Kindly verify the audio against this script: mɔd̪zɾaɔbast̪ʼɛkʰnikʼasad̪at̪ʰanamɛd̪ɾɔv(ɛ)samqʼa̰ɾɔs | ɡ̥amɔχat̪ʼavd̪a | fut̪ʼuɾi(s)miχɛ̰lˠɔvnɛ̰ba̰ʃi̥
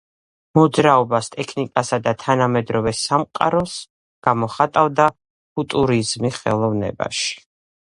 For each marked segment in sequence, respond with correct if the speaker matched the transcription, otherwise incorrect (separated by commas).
correct, incorrect